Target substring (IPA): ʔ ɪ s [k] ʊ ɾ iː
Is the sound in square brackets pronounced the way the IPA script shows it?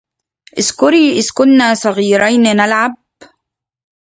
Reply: yes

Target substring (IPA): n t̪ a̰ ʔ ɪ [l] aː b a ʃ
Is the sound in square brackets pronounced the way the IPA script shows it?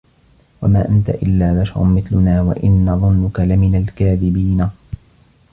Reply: no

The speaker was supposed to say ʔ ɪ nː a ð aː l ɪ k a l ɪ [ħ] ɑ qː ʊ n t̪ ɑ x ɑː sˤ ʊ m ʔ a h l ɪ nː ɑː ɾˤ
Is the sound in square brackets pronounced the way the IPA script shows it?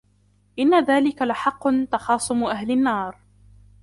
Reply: yes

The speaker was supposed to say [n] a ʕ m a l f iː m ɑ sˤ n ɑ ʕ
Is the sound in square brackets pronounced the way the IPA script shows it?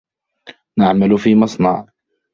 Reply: yes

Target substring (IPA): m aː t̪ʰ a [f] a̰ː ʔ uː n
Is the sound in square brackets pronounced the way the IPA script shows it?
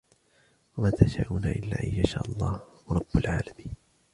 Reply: no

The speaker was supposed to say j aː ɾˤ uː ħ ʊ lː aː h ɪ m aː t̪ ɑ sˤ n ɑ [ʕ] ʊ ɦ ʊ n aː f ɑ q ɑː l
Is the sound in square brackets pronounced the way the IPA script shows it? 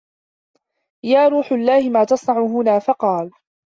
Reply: yes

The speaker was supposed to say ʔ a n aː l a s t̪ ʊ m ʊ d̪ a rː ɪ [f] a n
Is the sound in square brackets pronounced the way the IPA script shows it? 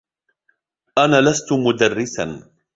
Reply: no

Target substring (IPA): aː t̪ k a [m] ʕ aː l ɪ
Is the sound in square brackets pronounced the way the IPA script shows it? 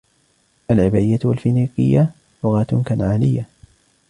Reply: no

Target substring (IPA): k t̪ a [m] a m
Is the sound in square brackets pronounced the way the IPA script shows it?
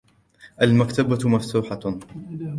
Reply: no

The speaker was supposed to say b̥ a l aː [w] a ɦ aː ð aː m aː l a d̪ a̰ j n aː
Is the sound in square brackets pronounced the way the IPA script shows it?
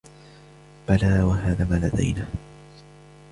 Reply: yes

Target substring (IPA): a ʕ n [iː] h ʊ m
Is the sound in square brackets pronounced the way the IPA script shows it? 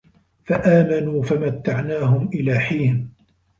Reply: no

